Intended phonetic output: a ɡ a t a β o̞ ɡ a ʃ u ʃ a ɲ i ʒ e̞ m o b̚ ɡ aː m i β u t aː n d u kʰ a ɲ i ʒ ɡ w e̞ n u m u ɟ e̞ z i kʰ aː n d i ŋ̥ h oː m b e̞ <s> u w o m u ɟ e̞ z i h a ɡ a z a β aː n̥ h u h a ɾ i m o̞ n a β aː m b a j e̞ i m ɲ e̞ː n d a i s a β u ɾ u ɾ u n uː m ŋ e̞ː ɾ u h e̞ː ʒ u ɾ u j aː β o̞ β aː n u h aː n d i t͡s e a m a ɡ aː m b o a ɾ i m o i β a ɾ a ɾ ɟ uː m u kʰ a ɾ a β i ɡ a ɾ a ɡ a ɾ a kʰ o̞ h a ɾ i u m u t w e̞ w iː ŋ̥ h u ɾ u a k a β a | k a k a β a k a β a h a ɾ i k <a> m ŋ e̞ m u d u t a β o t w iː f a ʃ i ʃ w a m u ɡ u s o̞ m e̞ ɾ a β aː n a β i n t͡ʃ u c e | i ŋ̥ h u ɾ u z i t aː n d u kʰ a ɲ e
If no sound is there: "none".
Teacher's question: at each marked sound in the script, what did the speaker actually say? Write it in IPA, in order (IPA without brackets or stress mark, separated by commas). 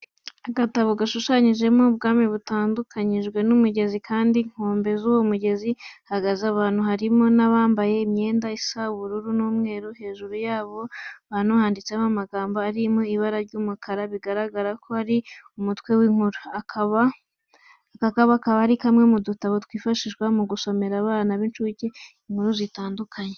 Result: z, a